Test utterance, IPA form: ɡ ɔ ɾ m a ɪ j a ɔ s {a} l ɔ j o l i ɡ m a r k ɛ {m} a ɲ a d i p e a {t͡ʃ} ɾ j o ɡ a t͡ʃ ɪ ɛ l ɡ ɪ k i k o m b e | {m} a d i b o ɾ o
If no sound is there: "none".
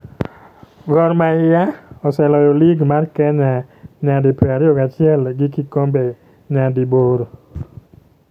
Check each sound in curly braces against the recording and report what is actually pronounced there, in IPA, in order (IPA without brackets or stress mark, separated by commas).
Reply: ɛ, ɲ, none, ɲ